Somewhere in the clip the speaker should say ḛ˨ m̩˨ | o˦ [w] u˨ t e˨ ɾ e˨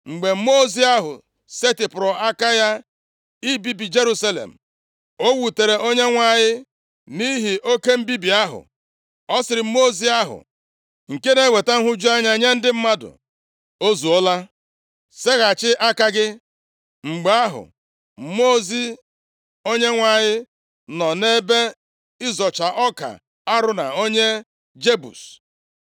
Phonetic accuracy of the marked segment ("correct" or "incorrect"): correct